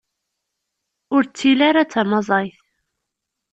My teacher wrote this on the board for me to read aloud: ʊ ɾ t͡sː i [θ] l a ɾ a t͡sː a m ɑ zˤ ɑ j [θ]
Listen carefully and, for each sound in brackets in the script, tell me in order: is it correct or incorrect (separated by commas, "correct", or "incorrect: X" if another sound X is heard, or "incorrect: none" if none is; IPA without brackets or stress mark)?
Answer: incorrect: none, correct